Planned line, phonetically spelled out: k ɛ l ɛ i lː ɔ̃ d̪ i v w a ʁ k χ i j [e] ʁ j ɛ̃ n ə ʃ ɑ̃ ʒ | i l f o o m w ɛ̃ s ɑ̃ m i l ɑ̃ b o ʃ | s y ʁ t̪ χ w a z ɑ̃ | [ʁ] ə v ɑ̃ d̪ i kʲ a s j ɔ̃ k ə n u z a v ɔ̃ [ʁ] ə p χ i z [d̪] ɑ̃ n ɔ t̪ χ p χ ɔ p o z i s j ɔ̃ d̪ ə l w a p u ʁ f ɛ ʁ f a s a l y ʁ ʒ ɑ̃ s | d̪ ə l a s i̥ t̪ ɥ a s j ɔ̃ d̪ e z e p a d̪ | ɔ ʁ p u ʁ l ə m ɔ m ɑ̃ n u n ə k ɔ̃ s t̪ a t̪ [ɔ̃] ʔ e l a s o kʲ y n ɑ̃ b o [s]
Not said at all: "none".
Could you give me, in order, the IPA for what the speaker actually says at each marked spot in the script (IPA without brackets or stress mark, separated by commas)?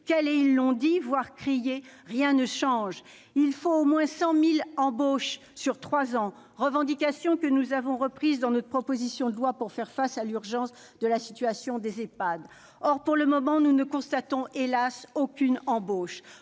e, ʁ, ʁ, d̪, ɔ̃, ʃ